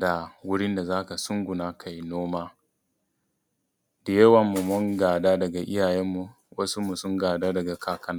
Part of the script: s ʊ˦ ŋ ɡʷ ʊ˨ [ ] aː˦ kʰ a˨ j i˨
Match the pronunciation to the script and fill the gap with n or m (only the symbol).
n